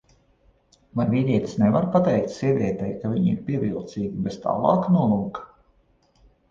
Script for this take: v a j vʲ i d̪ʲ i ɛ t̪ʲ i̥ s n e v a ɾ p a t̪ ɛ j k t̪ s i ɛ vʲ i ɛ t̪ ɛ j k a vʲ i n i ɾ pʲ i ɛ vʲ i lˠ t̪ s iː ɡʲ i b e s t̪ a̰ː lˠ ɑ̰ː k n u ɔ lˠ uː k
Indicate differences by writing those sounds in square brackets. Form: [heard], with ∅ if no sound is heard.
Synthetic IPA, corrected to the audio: v a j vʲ i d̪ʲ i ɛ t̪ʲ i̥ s n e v a ɾ p a t̪ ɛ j k t̪ s i ɛ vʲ i ɛ t̪ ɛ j k a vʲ i [ɲ] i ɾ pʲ i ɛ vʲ i lˠ t̪ s iː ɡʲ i b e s t̪ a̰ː lˠ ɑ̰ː k n u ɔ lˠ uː k

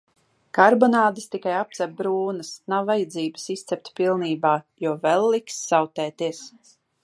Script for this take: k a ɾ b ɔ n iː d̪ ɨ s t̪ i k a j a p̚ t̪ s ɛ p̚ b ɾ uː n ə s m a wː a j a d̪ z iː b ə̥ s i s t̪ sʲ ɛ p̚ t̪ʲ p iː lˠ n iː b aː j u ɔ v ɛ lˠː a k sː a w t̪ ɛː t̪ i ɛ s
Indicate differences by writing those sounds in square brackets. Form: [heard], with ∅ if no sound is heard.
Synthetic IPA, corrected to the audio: k a ɾ b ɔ n [aː] d̪ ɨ s t̪ i k a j a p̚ t̪ s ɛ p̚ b ɾ uː n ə s [n] a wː a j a d̪ z iː b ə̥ s i s t̪ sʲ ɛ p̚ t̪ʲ p [i] lˠ n iː b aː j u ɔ v ɛ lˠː [i] k sː a w t̪ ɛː t̪ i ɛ s

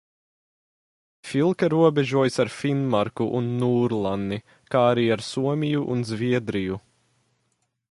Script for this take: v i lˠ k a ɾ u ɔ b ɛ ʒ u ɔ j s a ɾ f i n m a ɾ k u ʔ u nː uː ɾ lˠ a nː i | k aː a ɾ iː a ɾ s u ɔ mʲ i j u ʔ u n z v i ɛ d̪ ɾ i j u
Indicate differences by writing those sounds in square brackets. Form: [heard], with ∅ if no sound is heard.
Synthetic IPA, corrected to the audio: [f] i lˠ k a ɾ u ɔ b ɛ ʒ u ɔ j s a ɾ f i n m a ɾ k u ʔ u nː uː ɾ lˠ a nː i | k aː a ɾ iː a ɾ s u ɔ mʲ i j u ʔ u n z v i ɛ d̪ ɾ i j u

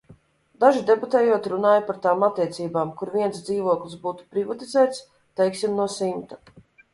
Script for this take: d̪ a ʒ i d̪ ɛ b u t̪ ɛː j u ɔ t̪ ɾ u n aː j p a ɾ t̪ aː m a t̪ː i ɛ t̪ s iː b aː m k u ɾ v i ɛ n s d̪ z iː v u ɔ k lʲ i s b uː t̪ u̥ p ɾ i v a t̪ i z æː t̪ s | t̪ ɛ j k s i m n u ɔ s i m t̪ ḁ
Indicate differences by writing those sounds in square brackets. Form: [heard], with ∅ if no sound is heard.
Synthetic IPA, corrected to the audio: d̪ a ʒ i d̪ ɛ b u t̪ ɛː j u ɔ t̪ ɾ u n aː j p a ɾ t̪ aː m a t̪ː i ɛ t̪ s iː b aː m k u ɾ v i ɛ n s d̪ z iː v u ɔ k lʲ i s b uː t̪ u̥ p ɾ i v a t̪ i z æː t̪ s | t̪ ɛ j k s i m n u ɔ s i m t̪ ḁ

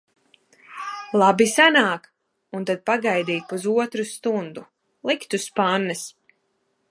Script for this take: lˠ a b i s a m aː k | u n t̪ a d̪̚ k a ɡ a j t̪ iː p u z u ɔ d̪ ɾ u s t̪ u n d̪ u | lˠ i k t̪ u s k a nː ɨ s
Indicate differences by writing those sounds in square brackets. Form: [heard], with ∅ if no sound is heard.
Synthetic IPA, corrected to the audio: lˠ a b i s a [n] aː k | u n t̪ a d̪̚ [p] a ɡ a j [d̪] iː p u z u ɔ [t̪] ɾ u s t̪ u n d̪ u | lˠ i k t̪ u s [p] a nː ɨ s

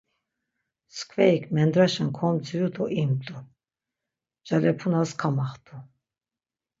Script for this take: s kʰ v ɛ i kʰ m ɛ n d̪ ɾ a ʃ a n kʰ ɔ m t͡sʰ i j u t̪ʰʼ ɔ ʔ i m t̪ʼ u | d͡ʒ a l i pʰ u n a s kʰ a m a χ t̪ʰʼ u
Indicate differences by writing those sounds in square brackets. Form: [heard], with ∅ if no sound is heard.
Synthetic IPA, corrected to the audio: s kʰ v ɛ i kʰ m ɛ n d̪ ɾ a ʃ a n kʰ ɔ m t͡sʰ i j u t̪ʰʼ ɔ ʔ i m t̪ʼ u | d͡ʒ a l [ɛ] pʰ u n a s kʰ a m a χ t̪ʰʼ u

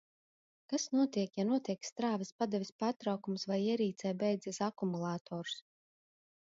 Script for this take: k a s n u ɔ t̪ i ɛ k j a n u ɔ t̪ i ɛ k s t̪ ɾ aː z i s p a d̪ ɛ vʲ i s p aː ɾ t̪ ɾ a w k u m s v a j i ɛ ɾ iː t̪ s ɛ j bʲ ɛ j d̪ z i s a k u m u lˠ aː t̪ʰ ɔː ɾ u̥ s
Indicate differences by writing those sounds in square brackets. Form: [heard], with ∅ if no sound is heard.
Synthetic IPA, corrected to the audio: k a s n u ɔ t̪ i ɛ k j a n u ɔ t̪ i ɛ k s t̪ ɾ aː [v] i s p a d̪ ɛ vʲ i s p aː ɾ t̪ ɾ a w k u m s v a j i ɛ ɾ iː t̪ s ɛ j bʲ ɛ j d̪ z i s a k u m u lˠ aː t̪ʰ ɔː ɾ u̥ s

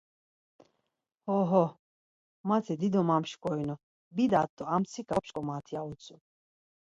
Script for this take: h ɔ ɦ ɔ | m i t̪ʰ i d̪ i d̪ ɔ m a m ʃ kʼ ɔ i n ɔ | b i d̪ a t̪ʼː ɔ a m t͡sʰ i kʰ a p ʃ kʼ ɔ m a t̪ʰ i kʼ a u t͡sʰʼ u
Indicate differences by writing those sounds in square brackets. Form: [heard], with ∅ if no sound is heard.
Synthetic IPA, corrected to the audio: h ɔ ɦ ɔ | m [a] t̪ʰ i d̪ i d̪ ɔ m a m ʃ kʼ ɔ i n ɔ | b i d̪ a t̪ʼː ɔ a m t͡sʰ i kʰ a p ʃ kʼ ɔ m a t̪ʰ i [∅] a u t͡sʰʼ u

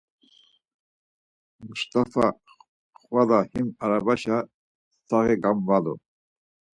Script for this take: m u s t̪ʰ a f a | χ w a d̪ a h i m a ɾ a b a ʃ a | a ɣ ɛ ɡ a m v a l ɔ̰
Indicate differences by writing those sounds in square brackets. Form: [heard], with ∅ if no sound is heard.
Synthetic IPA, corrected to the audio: m u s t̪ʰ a f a | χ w a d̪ a h i m a ɾ a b a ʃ a | a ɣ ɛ ɡ a m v a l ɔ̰

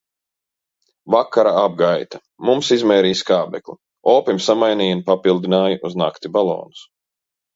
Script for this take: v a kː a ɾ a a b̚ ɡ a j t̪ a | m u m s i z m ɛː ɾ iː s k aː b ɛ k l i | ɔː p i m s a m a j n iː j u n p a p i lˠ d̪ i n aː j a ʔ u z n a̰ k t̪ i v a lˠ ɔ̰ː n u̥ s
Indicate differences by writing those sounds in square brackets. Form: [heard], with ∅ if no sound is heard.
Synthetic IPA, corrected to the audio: v a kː a ɾ a a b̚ ɡ a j t̪ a | m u m s i z m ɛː ɾ iː s k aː b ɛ k l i | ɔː p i m s a m a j n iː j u n p a p i lˠ d̪ i n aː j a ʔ u z n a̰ k t̪ i [b] a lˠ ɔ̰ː n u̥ s

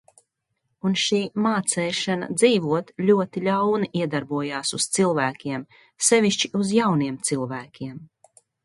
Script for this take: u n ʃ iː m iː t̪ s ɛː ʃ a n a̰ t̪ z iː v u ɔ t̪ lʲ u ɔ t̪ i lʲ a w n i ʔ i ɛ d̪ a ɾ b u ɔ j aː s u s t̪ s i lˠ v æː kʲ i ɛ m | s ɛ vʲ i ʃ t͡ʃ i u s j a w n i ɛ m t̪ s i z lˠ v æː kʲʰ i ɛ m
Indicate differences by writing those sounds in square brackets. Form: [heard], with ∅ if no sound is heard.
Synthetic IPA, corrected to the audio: u n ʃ iː m [aː] t̪ s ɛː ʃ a n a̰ [d̪] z iː v u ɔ t̪ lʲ u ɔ t̪ i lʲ a w n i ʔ i ɛ d̪ a ɾ b u ɔ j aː s u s t̪ s i lˠ v æː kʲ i ɛ m | s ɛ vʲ i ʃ t͡ʃ i u [z] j a w n i ɛ m t̪ s i [∅] lˠ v æː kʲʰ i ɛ m

